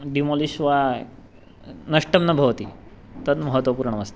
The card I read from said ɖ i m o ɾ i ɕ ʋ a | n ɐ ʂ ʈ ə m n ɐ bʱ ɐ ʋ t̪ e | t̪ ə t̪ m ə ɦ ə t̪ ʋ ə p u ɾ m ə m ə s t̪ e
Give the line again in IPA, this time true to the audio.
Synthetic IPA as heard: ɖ i m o l i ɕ ʋ a | n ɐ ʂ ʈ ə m n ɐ bʱ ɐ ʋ t̪ i | t̪ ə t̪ m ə ɦ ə t̪ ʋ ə p u ɾ ɳ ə m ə s t̪ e